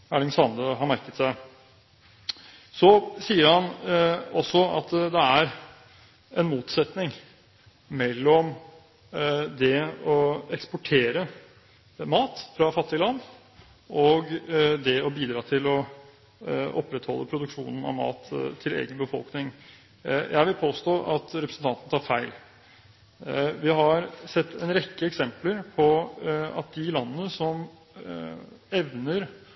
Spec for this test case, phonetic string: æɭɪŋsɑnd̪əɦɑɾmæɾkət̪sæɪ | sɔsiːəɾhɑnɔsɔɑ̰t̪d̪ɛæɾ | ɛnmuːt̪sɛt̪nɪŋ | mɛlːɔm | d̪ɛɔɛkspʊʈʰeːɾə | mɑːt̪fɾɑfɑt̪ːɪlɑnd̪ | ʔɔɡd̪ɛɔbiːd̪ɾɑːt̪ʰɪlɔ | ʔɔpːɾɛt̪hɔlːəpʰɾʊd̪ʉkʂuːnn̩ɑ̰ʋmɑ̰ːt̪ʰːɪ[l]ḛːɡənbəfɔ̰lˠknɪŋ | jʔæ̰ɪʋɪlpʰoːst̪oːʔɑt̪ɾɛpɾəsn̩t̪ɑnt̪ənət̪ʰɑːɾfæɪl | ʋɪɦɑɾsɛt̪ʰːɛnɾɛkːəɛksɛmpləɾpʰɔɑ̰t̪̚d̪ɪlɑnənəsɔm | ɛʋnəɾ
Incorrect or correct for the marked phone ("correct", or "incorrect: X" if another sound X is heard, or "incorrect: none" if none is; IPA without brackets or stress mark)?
correct